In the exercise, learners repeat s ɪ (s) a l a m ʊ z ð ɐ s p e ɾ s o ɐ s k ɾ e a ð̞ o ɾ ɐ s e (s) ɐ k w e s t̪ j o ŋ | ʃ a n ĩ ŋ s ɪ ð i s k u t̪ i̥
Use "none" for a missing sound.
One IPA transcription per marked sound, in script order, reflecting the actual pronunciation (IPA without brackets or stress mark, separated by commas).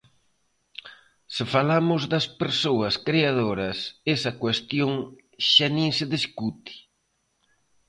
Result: f, s